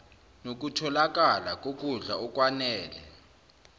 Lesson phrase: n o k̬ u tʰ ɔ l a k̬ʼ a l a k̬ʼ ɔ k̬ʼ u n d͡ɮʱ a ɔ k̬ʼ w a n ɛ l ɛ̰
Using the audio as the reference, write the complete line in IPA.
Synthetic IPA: n o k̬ u tʰ ɔ l a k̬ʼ a l a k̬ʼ o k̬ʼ u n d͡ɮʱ a ɔ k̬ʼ w a n ɛː l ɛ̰